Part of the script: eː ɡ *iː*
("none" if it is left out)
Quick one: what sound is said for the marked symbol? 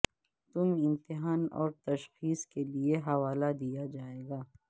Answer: aː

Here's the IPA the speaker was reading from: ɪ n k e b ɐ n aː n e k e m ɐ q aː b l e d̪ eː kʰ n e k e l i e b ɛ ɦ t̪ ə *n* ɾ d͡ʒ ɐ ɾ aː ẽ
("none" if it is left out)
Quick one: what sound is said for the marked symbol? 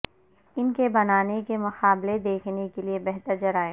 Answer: none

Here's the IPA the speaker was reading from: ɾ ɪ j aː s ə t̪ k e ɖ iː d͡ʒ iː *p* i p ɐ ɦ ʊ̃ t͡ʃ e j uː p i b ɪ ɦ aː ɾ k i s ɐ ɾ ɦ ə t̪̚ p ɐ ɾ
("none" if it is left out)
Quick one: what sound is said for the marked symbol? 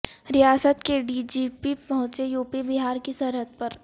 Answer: p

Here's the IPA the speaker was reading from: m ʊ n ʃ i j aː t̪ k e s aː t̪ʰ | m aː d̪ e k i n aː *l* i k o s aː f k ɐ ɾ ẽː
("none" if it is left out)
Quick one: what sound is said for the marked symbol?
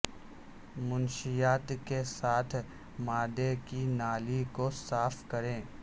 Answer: l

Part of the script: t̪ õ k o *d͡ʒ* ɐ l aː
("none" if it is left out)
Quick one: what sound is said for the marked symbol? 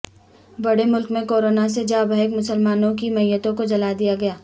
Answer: d͡ʒ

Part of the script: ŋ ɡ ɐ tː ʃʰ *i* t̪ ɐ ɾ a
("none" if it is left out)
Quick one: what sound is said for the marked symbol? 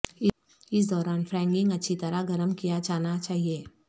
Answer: i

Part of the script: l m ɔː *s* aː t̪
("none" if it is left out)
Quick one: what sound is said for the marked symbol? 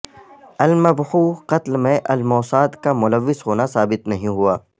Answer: s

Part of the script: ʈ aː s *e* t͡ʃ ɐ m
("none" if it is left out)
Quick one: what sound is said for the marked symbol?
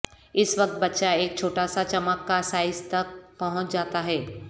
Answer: a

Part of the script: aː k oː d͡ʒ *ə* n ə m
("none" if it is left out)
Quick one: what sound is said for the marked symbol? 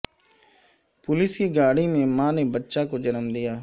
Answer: ə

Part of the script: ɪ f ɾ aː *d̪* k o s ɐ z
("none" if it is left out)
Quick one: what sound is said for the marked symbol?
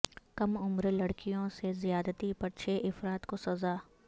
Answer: t̪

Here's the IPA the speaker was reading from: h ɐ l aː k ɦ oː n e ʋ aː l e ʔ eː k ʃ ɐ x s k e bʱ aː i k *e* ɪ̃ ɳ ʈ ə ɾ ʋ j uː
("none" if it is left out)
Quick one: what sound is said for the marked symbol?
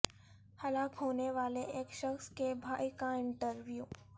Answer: a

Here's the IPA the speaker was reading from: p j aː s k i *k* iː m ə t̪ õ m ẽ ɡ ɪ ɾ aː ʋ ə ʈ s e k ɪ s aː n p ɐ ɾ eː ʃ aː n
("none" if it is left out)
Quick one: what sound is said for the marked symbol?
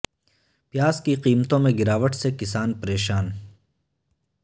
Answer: q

